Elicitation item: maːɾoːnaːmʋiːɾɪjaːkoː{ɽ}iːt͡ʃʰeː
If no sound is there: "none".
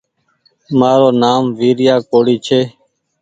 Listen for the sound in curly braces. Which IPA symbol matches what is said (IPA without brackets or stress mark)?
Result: ɽ